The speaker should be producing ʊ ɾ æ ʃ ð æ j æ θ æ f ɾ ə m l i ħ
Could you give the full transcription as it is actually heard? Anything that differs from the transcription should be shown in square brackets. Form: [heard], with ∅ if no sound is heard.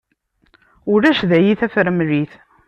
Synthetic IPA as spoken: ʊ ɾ æ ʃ ð æ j [i] θ æ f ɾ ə m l i [θ]